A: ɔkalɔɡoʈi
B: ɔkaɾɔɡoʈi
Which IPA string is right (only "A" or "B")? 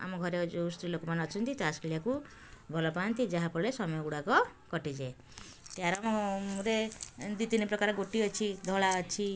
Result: B